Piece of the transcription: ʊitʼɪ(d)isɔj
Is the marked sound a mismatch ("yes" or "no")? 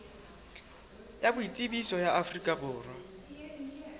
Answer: yes